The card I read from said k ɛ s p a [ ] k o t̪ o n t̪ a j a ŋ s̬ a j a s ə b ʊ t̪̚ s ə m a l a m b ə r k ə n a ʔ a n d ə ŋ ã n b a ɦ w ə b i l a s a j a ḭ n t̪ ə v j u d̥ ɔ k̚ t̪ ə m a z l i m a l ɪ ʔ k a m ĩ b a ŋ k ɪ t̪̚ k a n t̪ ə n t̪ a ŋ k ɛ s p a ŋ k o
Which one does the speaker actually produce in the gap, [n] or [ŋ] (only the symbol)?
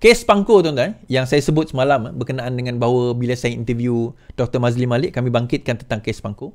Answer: ŋ